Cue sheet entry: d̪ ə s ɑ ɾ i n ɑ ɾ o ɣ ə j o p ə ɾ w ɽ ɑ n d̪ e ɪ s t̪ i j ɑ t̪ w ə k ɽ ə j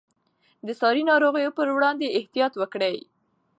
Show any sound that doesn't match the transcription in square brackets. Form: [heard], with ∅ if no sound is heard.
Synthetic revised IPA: d̪ ə s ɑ ɾ i n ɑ ɾ o ɣ ə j o p ə ɾ w ɽ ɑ n d̪ e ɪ [h] t̪ i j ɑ t̪ w ə k ɽ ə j